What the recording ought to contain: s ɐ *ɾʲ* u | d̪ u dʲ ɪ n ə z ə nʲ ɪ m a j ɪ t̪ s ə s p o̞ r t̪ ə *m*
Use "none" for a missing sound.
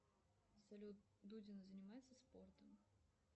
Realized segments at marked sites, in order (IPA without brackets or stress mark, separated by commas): lʲ, m